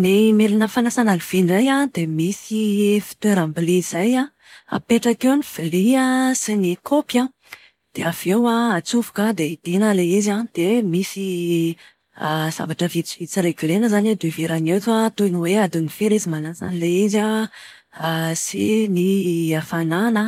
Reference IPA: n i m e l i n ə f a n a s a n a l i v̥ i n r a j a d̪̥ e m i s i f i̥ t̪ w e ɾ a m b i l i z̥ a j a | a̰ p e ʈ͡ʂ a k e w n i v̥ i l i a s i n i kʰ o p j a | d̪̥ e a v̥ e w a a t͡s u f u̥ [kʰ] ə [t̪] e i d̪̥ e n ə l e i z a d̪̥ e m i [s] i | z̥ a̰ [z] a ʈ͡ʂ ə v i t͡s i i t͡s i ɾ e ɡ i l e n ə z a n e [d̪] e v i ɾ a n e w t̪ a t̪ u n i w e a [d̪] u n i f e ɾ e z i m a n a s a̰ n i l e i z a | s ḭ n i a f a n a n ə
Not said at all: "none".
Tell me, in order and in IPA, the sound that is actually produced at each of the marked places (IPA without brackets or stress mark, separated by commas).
k, d̪, s, v, d̪, d̪